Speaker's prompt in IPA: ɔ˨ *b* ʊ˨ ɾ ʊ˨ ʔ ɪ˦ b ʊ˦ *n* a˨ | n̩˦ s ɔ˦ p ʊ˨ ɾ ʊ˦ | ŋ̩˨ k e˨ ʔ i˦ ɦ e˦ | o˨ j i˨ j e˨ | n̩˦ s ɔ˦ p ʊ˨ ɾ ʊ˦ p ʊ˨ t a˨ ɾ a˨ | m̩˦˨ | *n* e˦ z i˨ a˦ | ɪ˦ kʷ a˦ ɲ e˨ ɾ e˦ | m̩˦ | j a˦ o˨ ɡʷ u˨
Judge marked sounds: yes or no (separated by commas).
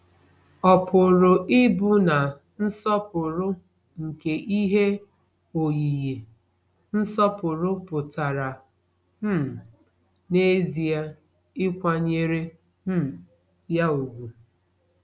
no, yes, yes